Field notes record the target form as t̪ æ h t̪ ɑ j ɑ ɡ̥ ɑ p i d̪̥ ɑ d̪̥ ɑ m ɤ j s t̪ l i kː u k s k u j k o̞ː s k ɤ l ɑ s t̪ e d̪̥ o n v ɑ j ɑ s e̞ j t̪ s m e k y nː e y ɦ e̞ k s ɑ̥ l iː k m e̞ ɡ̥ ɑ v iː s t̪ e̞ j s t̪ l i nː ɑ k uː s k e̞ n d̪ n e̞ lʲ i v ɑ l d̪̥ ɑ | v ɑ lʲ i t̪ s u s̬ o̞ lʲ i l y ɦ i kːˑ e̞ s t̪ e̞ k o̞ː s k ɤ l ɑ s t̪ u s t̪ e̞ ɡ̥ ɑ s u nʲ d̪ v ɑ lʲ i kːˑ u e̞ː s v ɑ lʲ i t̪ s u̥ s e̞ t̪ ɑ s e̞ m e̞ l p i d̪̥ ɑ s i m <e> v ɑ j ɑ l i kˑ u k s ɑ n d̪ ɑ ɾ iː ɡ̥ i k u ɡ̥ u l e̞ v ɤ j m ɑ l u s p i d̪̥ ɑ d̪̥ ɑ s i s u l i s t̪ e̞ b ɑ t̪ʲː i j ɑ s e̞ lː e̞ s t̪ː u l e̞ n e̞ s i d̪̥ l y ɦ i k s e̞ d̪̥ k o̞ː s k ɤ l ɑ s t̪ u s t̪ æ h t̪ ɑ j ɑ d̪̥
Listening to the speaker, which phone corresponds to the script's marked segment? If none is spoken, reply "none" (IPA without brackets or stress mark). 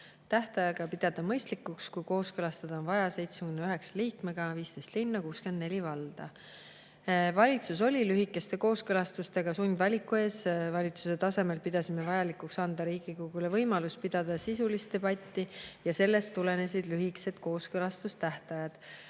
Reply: e